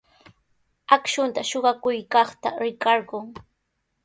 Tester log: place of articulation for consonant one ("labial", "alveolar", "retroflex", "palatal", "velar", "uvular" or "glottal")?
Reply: velar